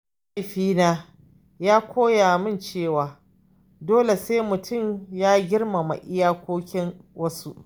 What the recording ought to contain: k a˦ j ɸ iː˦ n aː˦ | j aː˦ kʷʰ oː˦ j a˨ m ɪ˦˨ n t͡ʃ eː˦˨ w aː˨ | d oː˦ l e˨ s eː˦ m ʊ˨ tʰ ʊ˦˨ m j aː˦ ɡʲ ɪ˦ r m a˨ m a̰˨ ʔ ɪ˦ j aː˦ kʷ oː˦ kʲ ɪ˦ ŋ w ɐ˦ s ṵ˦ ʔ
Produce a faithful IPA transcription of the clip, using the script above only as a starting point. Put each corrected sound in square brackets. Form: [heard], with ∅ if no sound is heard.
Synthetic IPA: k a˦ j ɸ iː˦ n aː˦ | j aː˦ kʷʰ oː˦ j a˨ m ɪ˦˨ n t͡ʃ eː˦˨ w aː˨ | d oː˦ l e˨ s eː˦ m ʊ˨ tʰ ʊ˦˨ m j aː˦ ɡʲ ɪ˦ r m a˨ m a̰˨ ʔ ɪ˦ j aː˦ kʷ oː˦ kʲ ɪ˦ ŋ w ɐ˦ s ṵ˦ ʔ